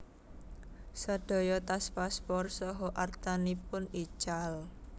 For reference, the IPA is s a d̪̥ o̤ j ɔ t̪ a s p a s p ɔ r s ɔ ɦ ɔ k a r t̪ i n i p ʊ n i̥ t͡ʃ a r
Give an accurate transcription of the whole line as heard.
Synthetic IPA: s a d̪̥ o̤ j ɔ t̪ a s p a s p ɔ r s ɔ ɦ ɔ ʔ a r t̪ a n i p ʊ n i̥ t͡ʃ a l